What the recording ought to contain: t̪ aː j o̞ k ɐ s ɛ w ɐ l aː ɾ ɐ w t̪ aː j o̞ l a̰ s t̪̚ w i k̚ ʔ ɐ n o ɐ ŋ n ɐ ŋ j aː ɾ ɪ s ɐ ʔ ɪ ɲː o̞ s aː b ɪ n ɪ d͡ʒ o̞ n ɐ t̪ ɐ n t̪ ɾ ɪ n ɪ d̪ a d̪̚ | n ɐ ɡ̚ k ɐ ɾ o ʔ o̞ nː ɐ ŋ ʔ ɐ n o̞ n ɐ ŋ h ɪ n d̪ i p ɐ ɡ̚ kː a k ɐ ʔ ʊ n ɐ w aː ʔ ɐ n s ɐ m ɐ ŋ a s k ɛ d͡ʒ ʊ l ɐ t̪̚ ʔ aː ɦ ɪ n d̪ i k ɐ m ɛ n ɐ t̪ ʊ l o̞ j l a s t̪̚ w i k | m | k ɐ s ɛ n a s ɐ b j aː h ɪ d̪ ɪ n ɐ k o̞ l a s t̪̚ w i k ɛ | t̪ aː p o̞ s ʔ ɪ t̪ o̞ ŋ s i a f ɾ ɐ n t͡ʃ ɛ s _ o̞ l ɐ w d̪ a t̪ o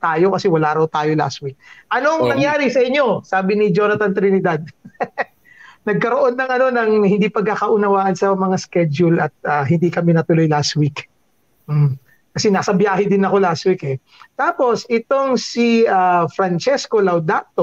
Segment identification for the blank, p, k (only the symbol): k